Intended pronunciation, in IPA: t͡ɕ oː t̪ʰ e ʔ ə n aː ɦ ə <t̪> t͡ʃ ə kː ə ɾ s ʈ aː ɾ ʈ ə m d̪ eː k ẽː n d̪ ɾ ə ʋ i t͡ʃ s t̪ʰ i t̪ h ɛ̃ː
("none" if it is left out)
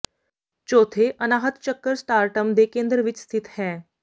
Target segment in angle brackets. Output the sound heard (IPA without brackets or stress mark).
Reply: t̪